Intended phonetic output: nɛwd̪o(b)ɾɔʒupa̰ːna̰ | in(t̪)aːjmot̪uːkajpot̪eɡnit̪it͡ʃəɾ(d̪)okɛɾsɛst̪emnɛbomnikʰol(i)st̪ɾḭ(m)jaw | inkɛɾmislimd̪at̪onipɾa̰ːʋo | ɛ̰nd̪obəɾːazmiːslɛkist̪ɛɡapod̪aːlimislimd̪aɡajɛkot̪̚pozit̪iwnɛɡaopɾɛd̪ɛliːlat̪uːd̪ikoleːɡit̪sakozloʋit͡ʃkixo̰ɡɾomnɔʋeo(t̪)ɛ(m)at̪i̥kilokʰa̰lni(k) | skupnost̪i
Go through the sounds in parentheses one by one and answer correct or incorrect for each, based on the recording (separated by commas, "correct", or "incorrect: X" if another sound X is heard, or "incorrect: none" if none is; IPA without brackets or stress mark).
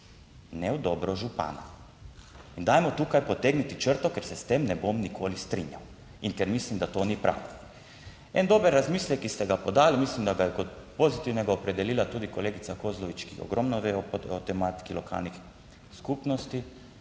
correct, incorrect: d̪, incorrect: t̪, correct, incorrect: ɲ, correct, correct, incorrect: x